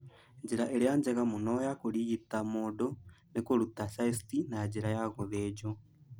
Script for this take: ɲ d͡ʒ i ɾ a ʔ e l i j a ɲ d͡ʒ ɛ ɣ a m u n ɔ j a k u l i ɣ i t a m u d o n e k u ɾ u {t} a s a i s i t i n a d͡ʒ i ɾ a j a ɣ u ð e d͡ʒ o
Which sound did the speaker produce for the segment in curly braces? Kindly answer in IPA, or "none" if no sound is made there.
t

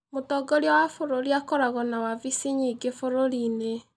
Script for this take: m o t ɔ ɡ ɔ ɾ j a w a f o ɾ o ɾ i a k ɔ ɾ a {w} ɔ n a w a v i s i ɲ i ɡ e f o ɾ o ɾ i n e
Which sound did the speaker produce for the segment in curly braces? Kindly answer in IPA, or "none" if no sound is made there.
ɣ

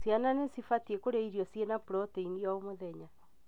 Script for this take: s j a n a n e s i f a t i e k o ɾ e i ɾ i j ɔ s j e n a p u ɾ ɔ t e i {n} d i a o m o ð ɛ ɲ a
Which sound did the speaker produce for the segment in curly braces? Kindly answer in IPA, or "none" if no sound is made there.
n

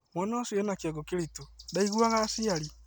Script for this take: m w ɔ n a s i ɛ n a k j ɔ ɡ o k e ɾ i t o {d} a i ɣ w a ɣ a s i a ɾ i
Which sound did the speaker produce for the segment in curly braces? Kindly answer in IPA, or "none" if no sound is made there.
d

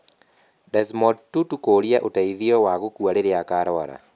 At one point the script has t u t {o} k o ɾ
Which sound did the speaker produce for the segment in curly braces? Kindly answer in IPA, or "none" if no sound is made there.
u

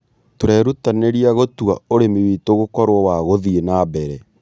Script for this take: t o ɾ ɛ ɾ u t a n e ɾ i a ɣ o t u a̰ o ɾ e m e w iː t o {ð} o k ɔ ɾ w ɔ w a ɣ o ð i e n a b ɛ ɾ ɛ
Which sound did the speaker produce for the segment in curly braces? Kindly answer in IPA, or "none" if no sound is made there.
ɣ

